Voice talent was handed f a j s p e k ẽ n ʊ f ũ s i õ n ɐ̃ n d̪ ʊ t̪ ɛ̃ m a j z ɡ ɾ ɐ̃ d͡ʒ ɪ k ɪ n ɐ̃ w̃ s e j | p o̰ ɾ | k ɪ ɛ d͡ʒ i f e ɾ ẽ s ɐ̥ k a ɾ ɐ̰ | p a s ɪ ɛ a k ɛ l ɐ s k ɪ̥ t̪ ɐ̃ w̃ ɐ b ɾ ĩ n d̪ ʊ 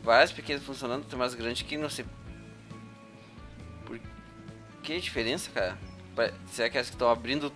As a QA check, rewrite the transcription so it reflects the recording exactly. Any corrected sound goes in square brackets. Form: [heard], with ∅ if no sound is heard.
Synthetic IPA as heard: [v] a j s p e k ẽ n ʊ f ũ s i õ n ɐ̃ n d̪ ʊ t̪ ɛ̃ m a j z ɡ ɾ ɐ̃ d͡ʒ ɪ k ɪ n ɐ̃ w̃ s e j | p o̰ ɾ | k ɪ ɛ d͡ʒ i f e ɾ ẽ s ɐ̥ k a ɾ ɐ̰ | p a s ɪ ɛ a k ɛ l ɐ s k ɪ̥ t̪ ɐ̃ w̃ [a] b ɾ ĩ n d̪ ʊ

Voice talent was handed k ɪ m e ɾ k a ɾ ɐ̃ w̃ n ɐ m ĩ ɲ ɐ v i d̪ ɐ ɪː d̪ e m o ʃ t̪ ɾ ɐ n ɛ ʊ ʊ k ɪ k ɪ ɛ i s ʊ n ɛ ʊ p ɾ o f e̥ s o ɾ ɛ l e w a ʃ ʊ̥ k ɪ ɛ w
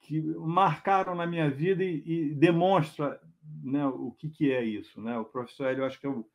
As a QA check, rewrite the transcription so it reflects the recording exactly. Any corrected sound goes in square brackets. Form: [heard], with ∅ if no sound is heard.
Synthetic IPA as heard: k ɪ m [a] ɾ k a ɾ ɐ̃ w̃ n ɐ m ĩ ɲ ɐ v i d̪ ɐ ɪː d̪ e m [õ] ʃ t̪ ɾ ɐ n ɛ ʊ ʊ k ɪ k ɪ ɛ i s ʊ n ɛ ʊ p ɾ o f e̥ s o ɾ ɛ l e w a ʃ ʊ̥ k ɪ ɛ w

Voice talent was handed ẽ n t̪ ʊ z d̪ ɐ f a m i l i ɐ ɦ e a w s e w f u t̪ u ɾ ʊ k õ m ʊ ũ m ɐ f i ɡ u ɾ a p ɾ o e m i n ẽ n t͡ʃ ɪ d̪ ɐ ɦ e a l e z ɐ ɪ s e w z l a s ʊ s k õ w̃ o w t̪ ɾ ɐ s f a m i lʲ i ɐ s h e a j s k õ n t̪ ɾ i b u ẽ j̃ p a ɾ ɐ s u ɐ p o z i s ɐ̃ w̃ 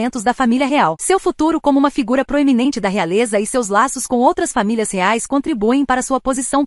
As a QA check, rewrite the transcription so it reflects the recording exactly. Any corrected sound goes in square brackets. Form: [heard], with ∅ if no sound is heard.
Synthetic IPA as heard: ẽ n t̪ ʊ z d̪ ɐ f a m i l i ɐ ɦ e a w s e w f u t̪ u ɾ ʊ k õ m ʊ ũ m ɐ f i ɡ u ɾ [ɐ] p ɾ o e m i n ẽ n t͡ʃ ɪ d̪ ɐ ɦ e a l e z ɐ ɪ s e w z l a s ʊ s k õ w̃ o w t̪ ɾ ɐ s f a m i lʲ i ɐ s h e a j s k õ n t̪ ɾ i b u ẽ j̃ p a ɾ ɐ s u ɐ p o z i s ɐ̃ w̃

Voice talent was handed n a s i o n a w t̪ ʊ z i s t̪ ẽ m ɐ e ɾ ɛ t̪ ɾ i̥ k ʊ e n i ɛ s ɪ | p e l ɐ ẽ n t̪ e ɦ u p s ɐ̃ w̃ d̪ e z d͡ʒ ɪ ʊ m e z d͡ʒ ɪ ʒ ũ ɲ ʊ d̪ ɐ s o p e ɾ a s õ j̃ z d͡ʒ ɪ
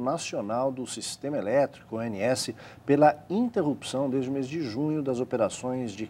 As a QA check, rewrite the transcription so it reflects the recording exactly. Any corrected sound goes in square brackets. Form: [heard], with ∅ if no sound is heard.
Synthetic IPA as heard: n a s i o n a w [d̪] ʊ [s] i s t̪ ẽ m ɐ e [l] ɛ t̪ ɾ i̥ k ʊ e n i ɛ s ɪ | p e l ɐ [ĩ] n t̪ e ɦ u p s ɐ̃ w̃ d̪ e z d͡ʒ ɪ ʊ m e z d͡ʒ ɪ ʒ ũ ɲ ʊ d̪ ɐ [z] o p e ɾ a s õ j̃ z d͡ʒ ɪ

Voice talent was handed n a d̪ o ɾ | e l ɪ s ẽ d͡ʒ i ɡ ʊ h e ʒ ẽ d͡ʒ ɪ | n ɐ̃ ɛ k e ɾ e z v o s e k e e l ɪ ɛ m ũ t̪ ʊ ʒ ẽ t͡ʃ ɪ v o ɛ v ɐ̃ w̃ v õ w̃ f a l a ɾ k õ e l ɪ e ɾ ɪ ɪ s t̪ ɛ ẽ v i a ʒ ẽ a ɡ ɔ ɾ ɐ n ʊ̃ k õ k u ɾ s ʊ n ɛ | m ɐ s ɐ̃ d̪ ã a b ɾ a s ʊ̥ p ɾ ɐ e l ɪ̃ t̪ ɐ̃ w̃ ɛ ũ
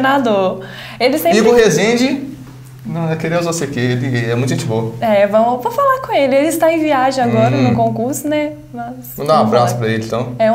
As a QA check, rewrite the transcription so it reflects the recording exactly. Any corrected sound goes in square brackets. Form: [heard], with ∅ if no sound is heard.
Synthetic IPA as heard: n a d̪ o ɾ | e l ɪ s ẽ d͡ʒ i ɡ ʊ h e [z] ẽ d͡ʒ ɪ | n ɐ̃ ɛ k e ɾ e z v o s e k e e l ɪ ɛ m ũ t̪ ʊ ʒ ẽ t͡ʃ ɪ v o ɛ v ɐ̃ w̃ v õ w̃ f a l a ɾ k õ e l ɪ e [l] ɪ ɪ s t̪ [a] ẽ v i a ʒ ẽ a ɡ ɔ ɾ ɐ n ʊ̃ k õ k u ɾ s ʊ n ɛ | m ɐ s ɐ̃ d̪ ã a b ɾ a s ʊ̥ p ɾ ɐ e l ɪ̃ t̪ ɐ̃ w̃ ɛ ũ

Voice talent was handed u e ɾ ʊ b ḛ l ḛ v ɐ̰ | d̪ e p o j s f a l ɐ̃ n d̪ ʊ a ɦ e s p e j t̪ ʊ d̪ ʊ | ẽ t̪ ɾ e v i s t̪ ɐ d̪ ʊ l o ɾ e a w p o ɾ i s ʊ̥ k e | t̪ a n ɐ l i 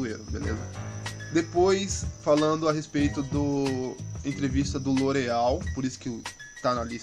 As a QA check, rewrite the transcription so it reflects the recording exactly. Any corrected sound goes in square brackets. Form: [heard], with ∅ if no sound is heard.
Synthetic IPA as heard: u e ɾ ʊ b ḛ l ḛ [z] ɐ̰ | d̪ e p o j s f a l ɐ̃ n d̪ ʊ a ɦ e s p e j t̪ ʊ d̪ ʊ | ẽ t̪ ɾ e v i s t̪ ɐ d̪ ʊ l o ɾ e a w p o ɾ i s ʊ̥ k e | t̪ a n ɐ l i

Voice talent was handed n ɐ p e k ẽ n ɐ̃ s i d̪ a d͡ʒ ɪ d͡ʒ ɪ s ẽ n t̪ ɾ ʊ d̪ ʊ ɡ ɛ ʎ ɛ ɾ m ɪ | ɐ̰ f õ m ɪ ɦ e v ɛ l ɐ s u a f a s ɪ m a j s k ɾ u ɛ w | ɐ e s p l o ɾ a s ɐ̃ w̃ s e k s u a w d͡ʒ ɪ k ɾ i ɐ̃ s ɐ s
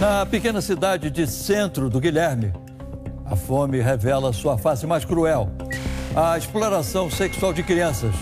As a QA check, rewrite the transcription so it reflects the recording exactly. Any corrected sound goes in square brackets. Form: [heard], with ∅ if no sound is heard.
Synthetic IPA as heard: n ɐ p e k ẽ n [ɐ] s i d̪ a d͡ʒ ɪ d͡ʒ ɪ s ẽ n t̪ ɾ ʊ d̪ ʊ ɡ [i] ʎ ɛ ɾ m ɪ | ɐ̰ f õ m ɪ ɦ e v ɛ l ɐ s u [ɐ] f a s ɪ m a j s k ɾ u ɛ w | ɐ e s p l o ɾ a s ɐ̃ w̃ s e k s u a w d͡ʒ ɪ k ɾ i ɐ̃ s ɐ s

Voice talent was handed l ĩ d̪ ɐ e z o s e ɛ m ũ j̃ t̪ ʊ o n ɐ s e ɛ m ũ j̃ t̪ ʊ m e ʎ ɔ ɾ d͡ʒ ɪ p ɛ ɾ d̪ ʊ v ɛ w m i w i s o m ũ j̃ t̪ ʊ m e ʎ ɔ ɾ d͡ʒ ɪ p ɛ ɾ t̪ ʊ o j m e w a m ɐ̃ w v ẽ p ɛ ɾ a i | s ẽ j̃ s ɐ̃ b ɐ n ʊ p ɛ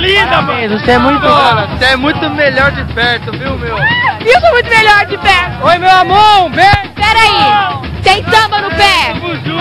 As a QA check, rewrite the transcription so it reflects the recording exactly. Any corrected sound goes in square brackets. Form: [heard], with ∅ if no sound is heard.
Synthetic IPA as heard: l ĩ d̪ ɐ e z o s e ɛ m ũ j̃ t̪ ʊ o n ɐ s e ɛ m ũ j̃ t̪ ʊ m e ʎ ɔ ɾ d͡ʒ ɪ p ɛ ɾ [t̪] ʊ v [i] w m [e] w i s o m ũ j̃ t̪ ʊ m e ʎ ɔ ɾ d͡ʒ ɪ p ɛ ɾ t̪ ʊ o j m e w a m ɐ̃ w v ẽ p ɛ ɾ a i | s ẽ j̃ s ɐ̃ b ɐ n ʊ p ɛ

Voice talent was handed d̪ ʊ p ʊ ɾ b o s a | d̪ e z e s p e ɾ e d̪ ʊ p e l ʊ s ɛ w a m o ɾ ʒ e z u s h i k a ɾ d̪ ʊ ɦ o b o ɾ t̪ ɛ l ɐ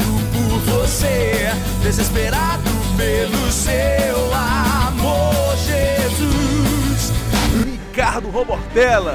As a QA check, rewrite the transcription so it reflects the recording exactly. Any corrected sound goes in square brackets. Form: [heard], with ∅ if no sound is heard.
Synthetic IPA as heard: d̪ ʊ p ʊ ɾ [v] o s [e] | d̪ e z e s p e ɾ [a] d̪ ʊ p e l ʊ s [e] w a m o ɾ ʒ e z u s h i k a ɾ d̪ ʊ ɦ o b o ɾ t̪ ɛ l ɐ

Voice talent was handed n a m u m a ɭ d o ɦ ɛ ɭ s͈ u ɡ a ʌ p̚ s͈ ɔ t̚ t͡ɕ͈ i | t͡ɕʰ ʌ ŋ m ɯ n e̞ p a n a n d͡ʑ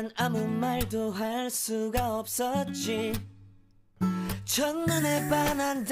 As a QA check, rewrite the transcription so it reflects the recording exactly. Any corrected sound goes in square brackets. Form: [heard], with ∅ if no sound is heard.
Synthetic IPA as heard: n a m u m a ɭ d o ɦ [a] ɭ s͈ u ɡ a ʌ p̚ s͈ [ʌ] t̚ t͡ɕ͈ i | t͡ɕʰ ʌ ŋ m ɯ n e̞ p a n a n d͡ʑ

